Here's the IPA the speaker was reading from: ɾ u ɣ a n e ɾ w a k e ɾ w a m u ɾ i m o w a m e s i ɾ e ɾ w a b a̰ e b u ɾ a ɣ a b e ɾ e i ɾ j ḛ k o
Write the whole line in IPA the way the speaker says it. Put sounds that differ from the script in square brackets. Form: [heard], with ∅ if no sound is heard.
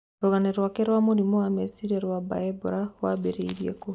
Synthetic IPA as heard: ɾ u ɣ a n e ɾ w a k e ɾ w a m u ɾ i m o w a m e s i ɾ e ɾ w a b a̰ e b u ɾ a [w] a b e ɾ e i ɾ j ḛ k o